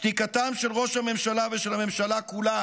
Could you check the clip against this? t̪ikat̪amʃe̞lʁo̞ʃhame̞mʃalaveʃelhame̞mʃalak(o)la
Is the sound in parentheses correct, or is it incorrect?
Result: incorrect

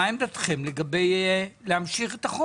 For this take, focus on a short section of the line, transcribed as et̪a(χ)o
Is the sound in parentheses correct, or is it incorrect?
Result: correct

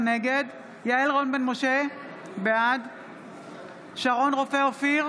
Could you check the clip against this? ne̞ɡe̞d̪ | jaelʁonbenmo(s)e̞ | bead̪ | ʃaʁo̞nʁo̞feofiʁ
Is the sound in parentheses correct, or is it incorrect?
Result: incorrect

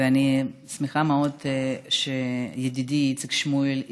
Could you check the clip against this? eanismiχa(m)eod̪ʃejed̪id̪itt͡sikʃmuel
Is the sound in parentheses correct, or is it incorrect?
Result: correct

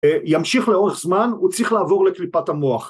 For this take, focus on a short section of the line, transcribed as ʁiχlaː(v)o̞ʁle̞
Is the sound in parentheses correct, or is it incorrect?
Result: correct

